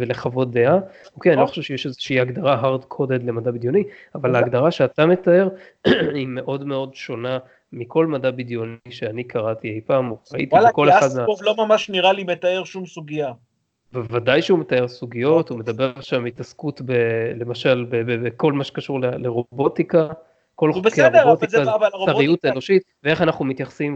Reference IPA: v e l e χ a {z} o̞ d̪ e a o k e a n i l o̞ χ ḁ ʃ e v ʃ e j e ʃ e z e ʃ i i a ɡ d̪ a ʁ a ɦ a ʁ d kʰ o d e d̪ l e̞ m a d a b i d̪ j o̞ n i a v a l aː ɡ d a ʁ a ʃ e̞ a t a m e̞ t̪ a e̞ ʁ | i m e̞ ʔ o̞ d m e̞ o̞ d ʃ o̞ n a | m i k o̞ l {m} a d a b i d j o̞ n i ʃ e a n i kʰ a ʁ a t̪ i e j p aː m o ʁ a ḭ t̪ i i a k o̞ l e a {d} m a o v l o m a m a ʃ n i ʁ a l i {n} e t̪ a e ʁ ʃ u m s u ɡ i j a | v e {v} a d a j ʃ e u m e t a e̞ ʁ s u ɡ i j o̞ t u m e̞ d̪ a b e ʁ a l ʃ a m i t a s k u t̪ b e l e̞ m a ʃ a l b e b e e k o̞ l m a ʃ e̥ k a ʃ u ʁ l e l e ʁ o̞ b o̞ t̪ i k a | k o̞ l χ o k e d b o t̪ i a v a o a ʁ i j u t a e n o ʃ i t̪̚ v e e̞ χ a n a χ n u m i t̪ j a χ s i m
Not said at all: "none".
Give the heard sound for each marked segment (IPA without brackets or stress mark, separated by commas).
v, m, d, m, v